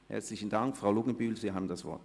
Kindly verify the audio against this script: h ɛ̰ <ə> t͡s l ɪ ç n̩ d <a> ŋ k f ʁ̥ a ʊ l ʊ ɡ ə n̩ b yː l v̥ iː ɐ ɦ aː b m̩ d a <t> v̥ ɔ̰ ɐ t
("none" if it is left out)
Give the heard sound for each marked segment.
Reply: ɐ, a, s

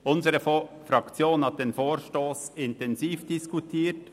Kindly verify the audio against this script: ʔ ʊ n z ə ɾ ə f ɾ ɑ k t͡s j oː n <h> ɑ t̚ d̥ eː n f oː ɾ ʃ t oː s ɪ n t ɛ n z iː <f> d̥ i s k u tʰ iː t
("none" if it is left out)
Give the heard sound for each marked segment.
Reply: h, f

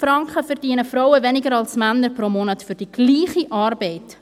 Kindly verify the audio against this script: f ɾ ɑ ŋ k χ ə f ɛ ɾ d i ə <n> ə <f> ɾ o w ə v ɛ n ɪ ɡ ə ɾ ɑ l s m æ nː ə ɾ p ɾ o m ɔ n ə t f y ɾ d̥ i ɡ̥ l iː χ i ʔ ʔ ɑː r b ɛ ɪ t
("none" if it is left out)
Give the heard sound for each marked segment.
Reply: n, f

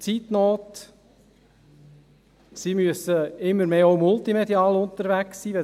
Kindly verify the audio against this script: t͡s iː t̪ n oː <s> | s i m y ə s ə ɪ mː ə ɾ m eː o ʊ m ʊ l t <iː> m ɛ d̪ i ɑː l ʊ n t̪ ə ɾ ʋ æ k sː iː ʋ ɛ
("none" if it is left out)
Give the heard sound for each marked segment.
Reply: t, i

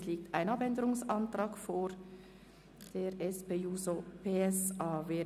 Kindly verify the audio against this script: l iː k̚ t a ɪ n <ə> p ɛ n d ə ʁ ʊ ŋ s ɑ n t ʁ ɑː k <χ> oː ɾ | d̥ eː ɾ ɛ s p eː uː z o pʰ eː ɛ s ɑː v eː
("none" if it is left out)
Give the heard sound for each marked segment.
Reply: ɑ, f

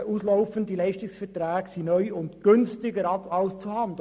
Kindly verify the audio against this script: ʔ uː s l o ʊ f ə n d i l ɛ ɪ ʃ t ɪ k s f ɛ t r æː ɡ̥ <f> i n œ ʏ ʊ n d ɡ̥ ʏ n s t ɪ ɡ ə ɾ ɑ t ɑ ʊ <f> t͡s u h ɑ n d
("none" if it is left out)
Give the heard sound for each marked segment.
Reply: s, s

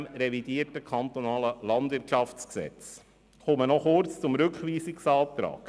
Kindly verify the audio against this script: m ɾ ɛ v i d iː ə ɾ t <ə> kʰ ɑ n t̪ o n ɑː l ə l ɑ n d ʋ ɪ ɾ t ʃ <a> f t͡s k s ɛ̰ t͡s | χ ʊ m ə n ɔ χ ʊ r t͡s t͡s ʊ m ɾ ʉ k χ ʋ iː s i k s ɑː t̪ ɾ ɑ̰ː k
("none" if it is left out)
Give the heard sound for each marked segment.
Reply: ə, ɑ

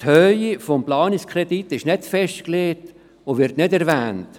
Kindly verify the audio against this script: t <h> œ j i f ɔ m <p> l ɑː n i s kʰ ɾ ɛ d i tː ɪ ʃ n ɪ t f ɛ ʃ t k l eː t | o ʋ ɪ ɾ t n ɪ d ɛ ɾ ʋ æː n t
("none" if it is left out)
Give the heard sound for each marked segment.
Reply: h, p

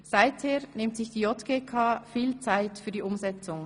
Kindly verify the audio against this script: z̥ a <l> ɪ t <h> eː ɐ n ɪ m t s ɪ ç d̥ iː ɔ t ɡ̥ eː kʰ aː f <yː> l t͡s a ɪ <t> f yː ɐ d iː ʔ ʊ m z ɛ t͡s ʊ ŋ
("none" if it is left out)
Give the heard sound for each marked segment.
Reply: none, h, iː, t

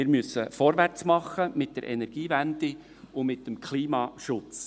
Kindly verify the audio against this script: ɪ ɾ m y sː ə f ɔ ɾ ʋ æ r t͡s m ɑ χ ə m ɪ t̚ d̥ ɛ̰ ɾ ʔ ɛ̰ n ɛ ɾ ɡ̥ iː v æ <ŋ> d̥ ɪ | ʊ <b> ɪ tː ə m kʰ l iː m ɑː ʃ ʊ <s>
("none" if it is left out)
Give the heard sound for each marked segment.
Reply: n, m, t͡s

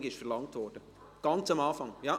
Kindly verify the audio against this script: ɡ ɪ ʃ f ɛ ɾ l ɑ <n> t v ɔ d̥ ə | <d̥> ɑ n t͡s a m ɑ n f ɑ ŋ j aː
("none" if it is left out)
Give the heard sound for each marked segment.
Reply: ŋ, ɡ̥

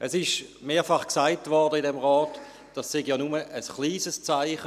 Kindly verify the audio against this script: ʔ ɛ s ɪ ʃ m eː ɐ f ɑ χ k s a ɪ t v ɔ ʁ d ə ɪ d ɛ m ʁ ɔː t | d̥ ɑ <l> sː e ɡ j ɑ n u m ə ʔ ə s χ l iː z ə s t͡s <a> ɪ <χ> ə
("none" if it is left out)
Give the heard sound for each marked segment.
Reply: none, a, χ

